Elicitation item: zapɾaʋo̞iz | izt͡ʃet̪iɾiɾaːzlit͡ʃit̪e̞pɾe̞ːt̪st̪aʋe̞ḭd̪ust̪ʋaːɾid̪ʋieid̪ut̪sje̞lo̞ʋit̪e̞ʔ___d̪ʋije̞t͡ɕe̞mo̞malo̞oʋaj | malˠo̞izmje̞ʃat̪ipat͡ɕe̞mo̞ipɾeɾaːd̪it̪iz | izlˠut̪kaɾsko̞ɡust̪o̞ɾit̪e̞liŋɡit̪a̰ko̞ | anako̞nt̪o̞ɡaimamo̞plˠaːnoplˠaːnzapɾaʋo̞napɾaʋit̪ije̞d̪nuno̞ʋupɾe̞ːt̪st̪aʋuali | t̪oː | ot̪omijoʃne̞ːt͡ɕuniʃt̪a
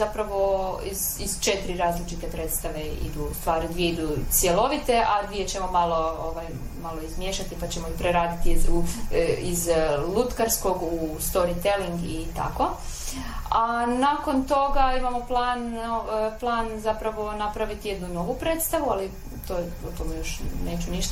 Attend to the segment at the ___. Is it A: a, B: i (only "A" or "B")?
A